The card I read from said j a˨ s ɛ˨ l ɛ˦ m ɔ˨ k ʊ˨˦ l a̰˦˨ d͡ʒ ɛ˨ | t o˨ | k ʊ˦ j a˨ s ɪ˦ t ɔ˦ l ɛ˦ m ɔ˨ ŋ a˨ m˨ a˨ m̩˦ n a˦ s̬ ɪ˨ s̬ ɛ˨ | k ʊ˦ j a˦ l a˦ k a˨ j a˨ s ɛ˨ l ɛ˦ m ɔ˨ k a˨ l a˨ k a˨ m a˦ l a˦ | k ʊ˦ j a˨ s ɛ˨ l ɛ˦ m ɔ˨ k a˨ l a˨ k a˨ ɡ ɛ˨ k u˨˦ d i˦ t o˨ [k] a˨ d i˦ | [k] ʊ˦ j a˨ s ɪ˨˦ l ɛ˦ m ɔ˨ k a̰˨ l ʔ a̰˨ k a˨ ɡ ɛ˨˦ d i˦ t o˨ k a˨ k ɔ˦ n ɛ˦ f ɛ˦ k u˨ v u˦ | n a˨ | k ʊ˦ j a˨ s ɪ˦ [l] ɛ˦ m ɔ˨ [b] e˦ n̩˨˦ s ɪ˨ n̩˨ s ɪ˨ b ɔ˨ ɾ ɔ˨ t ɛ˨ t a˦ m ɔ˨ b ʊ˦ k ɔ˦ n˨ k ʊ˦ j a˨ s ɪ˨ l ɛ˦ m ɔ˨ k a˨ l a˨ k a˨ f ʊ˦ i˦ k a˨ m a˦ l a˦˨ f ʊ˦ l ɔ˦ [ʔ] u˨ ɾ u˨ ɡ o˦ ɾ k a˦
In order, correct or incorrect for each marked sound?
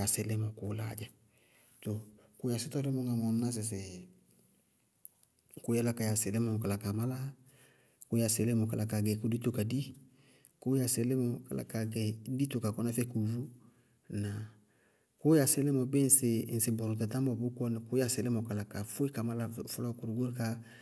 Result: correct, correct, correct, correct, incorrect: k

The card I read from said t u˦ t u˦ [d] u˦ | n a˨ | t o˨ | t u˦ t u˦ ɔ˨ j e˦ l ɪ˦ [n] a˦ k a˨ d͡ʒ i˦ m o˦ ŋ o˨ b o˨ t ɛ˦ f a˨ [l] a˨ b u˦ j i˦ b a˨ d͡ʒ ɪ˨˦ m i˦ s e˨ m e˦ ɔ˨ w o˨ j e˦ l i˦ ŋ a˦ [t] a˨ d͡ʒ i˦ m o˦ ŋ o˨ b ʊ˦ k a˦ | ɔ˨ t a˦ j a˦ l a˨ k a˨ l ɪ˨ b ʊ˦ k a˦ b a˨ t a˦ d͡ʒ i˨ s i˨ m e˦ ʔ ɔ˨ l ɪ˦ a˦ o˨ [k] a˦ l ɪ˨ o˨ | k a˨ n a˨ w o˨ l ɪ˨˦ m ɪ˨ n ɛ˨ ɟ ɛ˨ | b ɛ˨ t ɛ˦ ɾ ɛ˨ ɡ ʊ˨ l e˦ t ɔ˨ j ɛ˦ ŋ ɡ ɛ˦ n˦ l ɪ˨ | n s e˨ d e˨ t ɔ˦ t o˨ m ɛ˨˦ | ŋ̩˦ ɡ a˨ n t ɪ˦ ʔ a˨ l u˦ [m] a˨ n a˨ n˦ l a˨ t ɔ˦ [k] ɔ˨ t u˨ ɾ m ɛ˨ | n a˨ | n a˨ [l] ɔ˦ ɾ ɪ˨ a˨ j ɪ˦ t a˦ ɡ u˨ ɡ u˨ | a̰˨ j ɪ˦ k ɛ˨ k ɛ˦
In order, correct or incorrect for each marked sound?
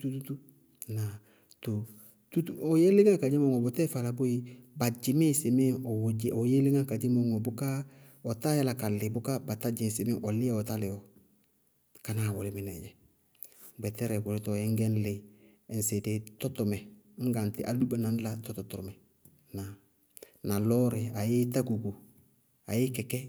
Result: incorrect: t, incorrect: ŋ, correct, incorrect: k, incorrect: t, incorrect: b, incorrect: t, correct

